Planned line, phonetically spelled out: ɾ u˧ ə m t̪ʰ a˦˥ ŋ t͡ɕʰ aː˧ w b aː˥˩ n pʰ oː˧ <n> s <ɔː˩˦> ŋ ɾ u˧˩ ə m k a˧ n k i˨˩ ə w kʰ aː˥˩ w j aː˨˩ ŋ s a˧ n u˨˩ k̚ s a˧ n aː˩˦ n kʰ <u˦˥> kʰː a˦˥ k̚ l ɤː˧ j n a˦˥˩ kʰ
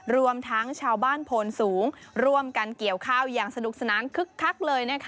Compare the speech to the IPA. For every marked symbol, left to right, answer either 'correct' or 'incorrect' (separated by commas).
correct, incorrect, incorrect